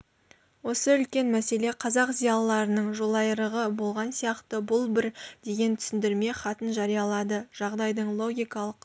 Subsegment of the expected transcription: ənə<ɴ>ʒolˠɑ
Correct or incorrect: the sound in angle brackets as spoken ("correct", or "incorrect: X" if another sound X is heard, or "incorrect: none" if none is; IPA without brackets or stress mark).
correct